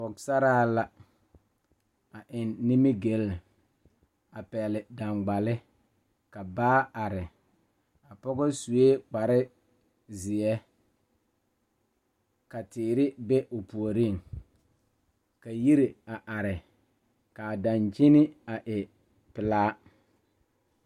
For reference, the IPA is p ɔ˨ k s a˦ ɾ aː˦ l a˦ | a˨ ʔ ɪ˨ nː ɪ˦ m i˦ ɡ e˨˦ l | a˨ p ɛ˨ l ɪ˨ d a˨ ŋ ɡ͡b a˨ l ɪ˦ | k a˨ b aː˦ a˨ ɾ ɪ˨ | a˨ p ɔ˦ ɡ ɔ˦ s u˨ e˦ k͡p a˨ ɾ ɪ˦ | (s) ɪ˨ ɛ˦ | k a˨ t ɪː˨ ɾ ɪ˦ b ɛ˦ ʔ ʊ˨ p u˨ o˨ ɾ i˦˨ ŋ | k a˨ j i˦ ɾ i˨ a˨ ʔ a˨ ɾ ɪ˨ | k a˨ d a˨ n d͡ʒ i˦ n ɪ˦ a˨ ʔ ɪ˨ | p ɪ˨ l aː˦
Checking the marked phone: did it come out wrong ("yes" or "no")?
yes